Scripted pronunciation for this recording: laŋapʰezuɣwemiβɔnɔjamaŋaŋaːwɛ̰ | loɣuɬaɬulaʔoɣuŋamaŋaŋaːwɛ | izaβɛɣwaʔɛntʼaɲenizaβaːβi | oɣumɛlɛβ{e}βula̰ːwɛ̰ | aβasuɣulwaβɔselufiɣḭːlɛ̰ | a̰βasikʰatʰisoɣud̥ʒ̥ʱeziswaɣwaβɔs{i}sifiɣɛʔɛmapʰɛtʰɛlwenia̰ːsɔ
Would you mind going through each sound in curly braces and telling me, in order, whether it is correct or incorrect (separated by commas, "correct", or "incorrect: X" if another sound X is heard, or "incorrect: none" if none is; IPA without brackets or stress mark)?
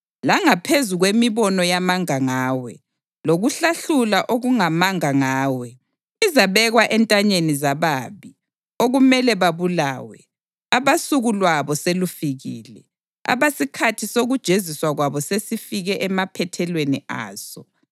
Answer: incorrect: a, incorrect: e